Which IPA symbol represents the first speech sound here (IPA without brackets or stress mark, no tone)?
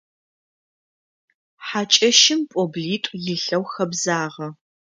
ħ